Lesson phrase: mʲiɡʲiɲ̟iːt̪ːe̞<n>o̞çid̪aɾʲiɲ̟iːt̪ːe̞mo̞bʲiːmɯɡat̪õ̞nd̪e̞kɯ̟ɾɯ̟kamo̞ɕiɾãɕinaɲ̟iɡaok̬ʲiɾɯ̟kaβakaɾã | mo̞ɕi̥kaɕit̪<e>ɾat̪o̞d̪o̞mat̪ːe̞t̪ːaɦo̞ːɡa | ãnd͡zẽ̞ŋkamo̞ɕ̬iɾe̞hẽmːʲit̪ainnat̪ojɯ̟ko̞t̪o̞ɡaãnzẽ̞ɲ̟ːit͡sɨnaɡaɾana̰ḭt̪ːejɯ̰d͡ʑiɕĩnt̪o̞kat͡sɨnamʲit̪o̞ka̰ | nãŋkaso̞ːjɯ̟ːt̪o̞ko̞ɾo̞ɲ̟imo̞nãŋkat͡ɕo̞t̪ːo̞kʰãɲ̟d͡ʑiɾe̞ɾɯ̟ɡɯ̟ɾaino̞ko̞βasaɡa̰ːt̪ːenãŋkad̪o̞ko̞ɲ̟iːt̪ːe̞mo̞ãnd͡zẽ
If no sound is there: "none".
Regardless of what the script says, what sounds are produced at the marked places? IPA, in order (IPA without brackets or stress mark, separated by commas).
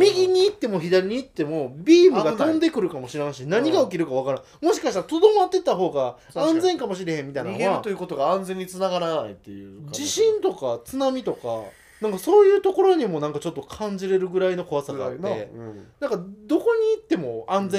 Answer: m, a